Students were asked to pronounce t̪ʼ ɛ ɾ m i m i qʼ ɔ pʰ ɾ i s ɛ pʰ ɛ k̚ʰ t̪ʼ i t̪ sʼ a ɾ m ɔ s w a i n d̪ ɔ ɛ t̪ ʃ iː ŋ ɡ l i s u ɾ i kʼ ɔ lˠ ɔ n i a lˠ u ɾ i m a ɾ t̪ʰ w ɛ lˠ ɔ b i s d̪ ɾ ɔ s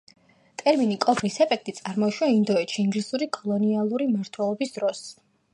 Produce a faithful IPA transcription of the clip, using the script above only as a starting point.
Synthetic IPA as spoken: t̪ʼ ɛ ɾ m i n i kʼ ɔ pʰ ɾ i s ɛ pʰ ɛ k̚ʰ t̪ʼ i t̪ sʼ a ɾ m ɔ ʃ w a i n d̪ ɔ ɛ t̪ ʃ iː ŋ ɡ l i s u ɾ i kʼ ɔ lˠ ɔ n i a lˠ u ɾ i m a ɾ t̪ʰ w ɛ lˠ ɔ b i s d̪ ɾ ɔ s